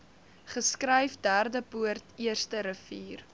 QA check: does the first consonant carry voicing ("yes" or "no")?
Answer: no